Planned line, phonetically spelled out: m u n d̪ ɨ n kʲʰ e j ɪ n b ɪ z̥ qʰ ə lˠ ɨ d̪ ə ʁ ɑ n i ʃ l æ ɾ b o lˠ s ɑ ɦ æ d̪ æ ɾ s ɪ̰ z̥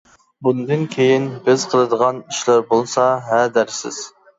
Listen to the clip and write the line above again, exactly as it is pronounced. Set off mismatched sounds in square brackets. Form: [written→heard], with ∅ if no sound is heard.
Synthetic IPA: [m→b] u n d̪ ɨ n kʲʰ e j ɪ n b ɪ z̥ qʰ ə lˠ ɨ d̪ ə ʁ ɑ n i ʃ l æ ɾ b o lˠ s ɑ ɦ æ d̪ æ ɾ s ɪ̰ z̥